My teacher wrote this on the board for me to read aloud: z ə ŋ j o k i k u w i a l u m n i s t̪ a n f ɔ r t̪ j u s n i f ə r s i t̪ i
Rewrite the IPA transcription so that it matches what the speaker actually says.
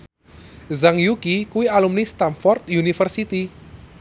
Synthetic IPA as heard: z a ŋ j u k i k u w i a l u m n i s t̪ a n f ɔ r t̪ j u n i f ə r s i t̪ i